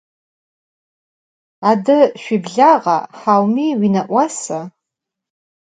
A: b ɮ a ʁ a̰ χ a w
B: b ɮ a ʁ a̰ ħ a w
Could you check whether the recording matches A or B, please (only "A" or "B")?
B